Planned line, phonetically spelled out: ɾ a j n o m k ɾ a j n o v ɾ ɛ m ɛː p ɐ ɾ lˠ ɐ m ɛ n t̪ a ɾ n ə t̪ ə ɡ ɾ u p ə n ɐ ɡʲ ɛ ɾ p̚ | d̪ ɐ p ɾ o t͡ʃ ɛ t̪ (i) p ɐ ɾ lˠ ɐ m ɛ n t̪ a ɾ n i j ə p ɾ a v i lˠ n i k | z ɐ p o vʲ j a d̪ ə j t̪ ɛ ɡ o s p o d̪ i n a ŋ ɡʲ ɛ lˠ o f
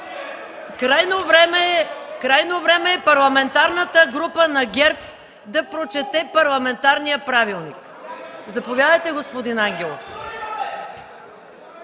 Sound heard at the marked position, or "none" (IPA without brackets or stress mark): ɛ